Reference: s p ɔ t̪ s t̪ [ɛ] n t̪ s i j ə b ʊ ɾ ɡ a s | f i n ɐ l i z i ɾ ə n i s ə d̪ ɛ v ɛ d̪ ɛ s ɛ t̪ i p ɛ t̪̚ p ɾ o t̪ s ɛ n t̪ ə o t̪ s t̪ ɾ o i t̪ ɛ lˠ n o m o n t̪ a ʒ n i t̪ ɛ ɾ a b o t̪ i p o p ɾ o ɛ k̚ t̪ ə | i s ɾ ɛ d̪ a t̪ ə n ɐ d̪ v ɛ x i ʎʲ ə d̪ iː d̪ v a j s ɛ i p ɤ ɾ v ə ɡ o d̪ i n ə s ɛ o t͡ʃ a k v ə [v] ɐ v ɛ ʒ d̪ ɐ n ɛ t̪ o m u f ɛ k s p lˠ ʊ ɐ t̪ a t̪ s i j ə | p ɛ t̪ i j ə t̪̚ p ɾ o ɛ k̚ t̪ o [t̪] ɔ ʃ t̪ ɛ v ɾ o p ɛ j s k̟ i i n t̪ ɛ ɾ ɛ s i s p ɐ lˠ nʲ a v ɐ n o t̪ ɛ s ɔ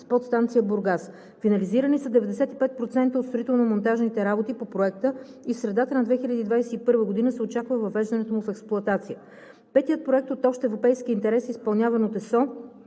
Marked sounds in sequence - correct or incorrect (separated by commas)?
incorrect, correct, correct